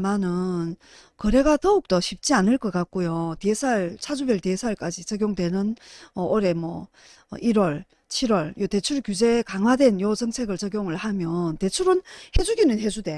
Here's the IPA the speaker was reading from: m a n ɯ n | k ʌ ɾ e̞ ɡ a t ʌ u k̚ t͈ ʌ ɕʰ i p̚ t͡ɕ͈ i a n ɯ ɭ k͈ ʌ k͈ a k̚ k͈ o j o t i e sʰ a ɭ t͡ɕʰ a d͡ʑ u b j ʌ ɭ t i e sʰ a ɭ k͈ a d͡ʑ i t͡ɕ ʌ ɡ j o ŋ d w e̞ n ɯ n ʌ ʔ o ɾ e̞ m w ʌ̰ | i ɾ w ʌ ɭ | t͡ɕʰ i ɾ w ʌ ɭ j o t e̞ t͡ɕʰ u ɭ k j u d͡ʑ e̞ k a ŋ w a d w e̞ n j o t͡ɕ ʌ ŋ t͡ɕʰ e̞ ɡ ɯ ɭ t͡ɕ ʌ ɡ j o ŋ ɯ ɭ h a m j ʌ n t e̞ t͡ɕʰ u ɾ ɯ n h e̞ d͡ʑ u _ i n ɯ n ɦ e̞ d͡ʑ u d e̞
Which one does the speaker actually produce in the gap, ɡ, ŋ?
ɡ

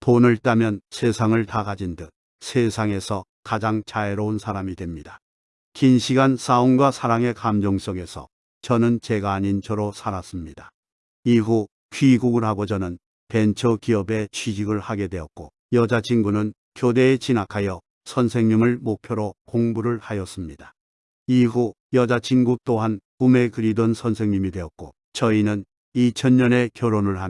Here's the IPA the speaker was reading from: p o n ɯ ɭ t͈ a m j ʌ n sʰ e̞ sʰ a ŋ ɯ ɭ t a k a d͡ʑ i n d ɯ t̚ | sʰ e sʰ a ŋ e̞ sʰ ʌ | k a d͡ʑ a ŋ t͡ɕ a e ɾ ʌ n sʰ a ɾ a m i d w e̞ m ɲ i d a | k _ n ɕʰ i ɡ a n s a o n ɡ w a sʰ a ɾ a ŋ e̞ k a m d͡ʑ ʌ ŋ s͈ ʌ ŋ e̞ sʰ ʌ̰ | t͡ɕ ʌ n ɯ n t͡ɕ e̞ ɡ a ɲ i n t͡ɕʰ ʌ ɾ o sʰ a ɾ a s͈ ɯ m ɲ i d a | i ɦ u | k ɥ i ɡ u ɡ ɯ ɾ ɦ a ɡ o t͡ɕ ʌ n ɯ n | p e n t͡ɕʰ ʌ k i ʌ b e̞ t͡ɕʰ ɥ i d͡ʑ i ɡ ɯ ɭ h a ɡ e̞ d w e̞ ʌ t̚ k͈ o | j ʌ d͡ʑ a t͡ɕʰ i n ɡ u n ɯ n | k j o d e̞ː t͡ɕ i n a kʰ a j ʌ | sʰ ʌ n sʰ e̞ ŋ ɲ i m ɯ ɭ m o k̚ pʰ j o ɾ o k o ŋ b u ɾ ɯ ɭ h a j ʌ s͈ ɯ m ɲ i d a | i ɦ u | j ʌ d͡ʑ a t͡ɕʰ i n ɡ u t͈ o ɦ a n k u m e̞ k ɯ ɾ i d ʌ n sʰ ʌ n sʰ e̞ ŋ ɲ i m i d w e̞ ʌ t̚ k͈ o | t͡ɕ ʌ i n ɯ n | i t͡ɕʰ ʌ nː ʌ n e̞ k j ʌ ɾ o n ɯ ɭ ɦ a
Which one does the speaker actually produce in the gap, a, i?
i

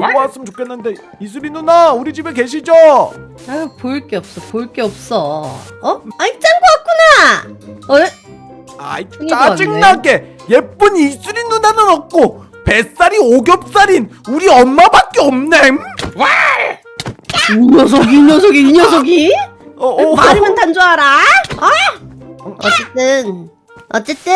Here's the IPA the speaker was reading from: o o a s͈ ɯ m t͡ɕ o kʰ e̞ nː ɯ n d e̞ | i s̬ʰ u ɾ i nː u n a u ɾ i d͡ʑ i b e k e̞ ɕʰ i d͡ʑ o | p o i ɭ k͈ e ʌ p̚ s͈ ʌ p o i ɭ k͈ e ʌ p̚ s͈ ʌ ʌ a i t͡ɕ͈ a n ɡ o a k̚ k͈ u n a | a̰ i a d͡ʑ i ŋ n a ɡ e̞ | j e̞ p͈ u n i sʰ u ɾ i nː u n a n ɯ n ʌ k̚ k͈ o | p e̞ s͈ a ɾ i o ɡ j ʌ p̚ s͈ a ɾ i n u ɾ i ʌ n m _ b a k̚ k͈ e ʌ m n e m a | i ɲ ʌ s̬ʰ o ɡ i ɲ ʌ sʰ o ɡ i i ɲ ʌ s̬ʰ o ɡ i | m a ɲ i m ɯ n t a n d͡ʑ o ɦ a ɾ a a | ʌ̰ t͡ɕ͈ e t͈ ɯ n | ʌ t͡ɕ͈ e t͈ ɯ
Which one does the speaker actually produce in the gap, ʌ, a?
a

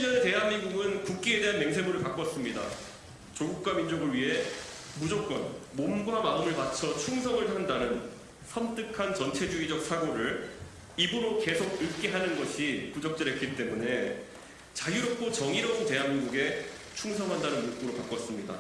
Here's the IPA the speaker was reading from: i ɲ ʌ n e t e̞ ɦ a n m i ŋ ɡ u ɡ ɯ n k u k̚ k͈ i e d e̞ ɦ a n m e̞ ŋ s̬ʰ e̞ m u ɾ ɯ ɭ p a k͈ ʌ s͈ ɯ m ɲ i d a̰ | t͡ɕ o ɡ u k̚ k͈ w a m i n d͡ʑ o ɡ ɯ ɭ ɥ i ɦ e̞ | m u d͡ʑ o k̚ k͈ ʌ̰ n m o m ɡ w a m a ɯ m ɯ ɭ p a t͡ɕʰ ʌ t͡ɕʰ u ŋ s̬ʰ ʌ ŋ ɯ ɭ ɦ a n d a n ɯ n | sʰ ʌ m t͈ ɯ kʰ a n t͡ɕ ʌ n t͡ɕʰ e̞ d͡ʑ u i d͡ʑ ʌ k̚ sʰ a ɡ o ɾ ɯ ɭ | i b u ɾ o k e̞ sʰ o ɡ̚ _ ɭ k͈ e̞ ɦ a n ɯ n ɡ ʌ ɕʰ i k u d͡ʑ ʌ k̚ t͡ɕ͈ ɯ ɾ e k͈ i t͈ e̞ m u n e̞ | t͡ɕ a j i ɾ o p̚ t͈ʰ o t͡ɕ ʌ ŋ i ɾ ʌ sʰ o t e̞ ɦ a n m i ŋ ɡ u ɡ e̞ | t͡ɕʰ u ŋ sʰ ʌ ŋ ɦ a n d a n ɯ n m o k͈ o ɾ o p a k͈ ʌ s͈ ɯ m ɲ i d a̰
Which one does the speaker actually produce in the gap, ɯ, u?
ɯ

